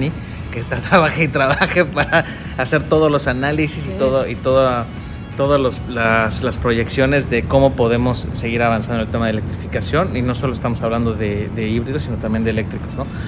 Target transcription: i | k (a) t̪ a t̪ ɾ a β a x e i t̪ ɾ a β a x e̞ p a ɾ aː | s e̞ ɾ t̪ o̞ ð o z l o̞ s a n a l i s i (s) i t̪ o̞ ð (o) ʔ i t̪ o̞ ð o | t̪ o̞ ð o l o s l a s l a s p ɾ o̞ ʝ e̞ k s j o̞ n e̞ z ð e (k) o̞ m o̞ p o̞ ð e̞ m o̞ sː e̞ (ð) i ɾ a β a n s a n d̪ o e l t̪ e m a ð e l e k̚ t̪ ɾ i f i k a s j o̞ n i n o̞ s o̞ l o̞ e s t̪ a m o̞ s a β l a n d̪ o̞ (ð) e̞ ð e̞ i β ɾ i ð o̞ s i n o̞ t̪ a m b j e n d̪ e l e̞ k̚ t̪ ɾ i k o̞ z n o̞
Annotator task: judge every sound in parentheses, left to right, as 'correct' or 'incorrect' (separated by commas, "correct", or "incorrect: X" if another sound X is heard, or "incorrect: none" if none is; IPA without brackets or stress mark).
incorrect: e, correct, correct, correct, incorrect: ɣ, correct